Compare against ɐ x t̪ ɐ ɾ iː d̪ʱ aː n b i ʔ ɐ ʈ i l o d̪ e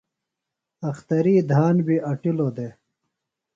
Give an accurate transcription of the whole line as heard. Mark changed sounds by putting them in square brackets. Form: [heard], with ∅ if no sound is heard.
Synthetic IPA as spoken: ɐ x t̪ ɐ ɾ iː d̪ʱ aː n b i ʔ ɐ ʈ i l o d̪ e